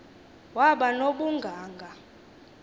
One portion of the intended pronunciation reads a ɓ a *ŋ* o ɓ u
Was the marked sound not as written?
yes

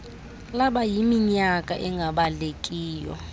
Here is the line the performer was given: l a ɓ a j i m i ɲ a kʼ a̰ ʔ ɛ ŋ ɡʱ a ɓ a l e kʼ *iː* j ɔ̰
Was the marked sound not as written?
no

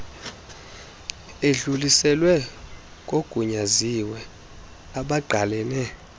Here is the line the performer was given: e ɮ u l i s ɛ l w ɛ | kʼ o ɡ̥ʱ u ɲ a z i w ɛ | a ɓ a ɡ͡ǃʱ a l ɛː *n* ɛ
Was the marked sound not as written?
no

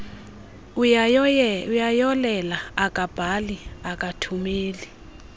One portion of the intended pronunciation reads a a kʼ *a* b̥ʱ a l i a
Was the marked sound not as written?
no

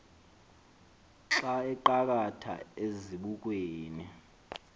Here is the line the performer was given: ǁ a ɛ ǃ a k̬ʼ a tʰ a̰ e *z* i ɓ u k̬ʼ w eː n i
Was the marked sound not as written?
no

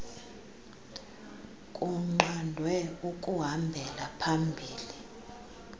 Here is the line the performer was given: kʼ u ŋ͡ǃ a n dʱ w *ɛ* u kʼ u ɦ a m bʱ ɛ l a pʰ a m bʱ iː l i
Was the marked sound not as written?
no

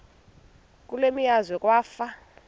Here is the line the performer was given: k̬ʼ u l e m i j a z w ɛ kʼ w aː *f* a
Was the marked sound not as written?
no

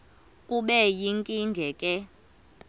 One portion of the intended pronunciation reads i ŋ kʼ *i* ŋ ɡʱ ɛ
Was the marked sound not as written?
no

